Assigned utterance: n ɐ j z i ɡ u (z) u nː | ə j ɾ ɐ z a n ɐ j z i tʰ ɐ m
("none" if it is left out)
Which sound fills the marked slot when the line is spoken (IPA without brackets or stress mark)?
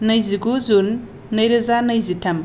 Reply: z